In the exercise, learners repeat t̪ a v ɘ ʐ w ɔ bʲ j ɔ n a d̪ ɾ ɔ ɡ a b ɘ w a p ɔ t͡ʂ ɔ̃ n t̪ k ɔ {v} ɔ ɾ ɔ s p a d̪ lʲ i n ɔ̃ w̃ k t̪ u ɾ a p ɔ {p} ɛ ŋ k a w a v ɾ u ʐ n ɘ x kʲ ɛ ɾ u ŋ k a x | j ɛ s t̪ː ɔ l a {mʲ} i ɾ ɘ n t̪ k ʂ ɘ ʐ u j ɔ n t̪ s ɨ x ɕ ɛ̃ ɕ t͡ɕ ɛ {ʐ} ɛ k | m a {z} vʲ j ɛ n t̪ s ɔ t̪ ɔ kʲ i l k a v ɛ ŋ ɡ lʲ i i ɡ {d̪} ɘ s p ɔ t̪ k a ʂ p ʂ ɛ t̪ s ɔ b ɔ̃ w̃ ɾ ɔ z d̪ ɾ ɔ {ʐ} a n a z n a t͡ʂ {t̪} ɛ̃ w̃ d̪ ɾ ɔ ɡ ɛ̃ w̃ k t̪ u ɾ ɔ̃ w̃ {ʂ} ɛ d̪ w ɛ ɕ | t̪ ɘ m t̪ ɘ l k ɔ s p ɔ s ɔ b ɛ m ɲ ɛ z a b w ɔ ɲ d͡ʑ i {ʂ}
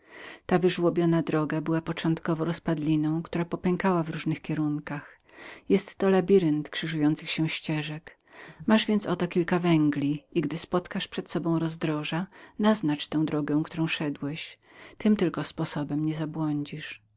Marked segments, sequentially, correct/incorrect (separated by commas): correct, correct, incorrect, correct, incorrect, correct, correct, correct, correct, correct